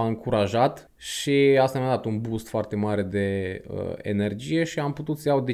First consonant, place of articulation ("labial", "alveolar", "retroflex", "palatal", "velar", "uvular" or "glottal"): velar